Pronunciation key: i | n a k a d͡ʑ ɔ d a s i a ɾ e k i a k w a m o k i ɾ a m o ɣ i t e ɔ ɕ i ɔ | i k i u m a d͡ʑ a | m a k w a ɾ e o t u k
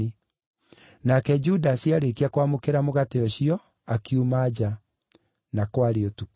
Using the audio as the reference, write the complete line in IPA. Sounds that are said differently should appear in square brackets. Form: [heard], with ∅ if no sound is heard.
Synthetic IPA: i | n a k [ɛ] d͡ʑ [u] d a s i a ɾ e k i a k w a m o k [e] ɾ a m o ɣ [a] t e ɔ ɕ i ɔ | [a] k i u m a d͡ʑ a | [n] a k w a ɾ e o t u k